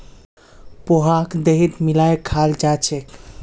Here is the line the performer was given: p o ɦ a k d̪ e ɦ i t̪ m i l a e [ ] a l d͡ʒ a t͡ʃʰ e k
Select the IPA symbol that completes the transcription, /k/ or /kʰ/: kʰ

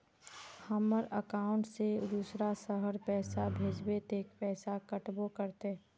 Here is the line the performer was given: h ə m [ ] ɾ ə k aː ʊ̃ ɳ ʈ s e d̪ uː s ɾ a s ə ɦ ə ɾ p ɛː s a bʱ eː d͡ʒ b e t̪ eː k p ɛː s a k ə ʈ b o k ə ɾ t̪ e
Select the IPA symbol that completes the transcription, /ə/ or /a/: ə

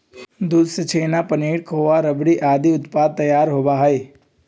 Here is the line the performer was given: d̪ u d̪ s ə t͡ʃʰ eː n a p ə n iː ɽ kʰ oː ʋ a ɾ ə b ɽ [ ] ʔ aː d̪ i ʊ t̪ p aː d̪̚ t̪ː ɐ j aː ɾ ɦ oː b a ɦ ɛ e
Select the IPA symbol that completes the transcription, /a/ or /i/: i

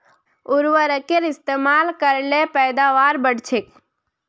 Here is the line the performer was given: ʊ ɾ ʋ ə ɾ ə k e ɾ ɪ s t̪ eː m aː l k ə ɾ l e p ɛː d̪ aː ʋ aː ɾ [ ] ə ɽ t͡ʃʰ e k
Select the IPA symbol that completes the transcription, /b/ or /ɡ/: b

